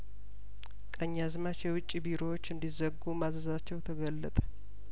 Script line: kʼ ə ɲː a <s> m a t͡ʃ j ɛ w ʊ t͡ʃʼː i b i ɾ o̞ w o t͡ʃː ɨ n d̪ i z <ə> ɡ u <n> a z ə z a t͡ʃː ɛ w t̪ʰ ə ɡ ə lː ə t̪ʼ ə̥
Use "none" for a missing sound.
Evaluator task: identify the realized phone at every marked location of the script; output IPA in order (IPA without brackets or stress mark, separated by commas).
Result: z, ə, m